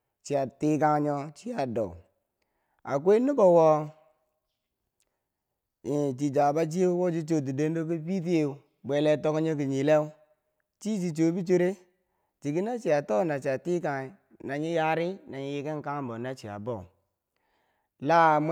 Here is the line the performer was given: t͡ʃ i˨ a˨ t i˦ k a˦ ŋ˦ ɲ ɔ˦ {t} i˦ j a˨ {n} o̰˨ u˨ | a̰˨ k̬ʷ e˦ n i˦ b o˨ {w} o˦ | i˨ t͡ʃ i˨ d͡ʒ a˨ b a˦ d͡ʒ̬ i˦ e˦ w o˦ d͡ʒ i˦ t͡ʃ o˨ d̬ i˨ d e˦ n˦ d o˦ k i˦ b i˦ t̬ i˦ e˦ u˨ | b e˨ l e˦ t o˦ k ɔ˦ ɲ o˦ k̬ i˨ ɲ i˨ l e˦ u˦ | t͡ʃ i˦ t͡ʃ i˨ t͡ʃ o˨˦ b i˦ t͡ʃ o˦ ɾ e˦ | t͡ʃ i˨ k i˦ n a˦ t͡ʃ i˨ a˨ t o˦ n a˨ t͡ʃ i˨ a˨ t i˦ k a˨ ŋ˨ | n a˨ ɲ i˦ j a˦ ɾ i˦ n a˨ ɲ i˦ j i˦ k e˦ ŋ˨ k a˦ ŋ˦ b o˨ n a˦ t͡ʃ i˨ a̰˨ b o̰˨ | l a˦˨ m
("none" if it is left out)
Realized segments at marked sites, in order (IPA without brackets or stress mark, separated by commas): t͡ʃ, d, w